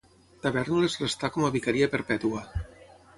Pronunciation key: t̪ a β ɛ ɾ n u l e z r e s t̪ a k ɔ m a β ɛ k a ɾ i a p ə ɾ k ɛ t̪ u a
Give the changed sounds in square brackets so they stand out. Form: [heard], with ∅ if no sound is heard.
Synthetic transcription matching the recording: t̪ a β ɛ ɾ n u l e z r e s t̪ a k ɔ m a β [i] k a ɾ i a p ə ɾ [p] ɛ t̪ u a